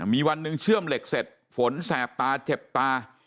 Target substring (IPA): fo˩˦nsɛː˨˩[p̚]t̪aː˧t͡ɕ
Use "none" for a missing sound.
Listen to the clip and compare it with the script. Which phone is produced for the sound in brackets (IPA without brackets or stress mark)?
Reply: p̚